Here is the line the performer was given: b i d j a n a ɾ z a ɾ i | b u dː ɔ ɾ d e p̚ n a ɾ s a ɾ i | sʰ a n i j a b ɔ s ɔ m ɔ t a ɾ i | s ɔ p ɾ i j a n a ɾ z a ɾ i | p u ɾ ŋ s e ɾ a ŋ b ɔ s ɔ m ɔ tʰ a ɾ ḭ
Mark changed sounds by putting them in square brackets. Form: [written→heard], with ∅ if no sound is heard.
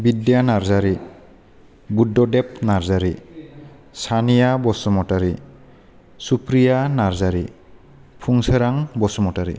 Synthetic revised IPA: b i d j a n a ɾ z a ɾ i | b u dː ɔ [ɾ→∅] d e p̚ n a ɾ [s→z] a ɾ i | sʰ a n i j a b ɔ s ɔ m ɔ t a ɾ i | s [ɔ→u] p ɾ i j a n a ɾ z a ɾ i | [p→pʰ] u [ɾ→∅] ŋ s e ɾ a ŋ b ɔ s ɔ m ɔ [tʰ→t] a ɾ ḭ